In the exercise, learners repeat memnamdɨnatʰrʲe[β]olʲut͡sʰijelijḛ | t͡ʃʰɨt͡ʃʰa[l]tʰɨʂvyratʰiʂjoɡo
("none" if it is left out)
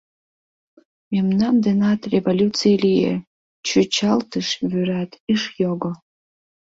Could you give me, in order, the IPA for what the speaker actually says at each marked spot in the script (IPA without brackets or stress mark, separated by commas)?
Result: v, l